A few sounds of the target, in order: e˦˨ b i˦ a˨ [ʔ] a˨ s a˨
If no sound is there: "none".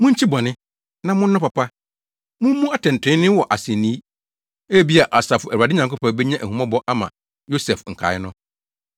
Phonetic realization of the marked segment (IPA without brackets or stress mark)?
ʔ